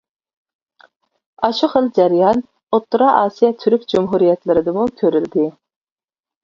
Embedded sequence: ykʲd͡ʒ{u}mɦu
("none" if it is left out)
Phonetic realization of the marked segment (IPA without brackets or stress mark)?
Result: u